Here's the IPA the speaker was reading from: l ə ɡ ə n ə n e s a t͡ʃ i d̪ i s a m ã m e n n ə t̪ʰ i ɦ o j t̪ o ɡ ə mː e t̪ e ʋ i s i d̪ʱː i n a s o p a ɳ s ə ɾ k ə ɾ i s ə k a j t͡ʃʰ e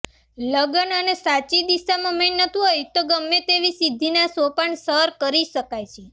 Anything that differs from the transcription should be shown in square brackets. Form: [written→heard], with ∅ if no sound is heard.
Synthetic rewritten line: l ə ɡ ə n ə n e s a t͡ʃ i d̪ i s a m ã m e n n ə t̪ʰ i ɦ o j t̪ o ɡ ə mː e t̪ e ʋ i s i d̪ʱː i n a s o p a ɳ s ə ɾ k ə ɾ i [s→ʃ] ə k a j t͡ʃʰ e